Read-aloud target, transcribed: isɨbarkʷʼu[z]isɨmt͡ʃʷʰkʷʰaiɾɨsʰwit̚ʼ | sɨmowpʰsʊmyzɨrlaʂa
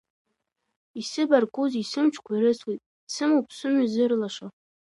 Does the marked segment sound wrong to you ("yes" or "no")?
no